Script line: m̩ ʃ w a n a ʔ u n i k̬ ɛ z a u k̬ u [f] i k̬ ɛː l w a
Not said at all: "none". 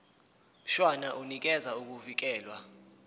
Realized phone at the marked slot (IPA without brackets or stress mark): v